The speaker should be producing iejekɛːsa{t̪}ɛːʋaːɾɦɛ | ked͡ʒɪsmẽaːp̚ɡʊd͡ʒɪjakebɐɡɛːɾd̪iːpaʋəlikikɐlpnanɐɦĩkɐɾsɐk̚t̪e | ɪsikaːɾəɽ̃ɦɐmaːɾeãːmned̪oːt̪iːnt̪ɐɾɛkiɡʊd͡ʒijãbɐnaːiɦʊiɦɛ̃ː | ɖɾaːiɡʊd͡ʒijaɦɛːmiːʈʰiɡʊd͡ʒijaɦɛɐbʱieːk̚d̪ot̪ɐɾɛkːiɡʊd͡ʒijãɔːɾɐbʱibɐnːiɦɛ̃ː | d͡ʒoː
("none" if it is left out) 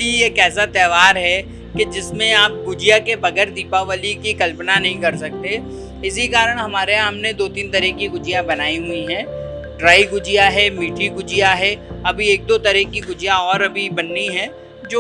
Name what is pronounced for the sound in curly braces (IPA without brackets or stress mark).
t̪